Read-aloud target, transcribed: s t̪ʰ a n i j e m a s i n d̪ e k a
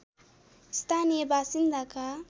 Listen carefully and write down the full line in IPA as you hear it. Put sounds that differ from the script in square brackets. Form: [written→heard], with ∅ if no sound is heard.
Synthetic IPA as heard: s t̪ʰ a n i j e [m→b] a s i n d̪ [e→a] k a